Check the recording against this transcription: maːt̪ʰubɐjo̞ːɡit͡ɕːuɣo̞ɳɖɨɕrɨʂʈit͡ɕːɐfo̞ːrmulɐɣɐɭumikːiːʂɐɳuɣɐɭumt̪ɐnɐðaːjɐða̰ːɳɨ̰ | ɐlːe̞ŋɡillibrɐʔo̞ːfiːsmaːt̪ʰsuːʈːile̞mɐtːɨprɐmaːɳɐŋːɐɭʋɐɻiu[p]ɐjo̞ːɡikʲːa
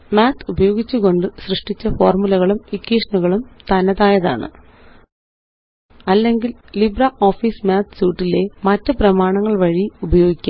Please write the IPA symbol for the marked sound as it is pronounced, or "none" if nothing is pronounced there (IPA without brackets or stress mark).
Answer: b